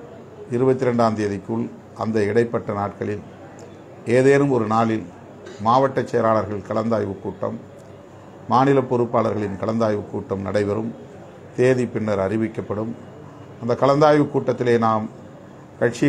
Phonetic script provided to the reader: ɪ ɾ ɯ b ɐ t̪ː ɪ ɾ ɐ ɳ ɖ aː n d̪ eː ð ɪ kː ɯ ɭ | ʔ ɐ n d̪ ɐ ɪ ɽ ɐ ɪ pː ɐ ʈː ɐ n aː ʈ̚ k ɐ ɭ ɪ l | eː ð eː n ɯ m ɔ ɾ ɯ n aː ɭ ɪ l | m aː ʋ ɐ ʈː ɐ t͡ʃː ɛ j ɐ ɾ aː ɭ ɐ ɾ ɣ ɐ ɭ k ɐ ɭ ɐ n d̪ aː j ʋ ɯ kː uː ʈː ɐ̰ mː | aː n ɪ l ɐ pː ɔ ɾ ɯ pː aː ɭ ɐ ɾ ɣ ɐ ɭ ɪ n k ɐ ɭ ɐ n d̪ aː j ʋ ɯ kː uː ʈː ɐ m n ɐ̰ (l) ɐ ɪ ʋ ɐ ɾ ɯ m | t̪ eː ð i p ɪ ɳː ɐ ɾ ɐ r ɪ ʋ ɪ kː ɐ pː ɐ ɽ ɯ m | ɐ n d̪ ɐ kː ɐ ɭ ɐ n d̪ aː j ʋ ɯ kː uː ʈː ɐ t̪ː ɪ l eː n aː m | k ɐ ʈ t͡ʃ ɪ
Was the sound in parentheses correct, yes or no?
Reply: no